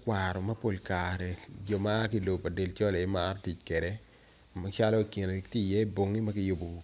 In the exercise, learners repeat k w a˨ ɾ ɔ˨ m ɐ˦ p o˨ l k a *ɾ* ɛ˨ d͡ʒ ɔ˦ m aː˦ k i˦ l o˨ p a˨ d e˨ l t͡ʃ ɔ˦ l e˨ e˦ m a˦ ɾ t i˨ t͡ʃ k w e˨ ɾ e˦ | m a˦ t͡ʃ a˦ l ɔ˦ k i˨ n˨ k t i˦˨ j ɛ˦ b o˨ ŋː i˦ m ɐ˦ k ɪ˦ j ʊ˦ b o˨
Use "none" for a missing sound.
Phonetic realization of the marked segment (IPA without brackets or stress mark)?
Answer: ɾ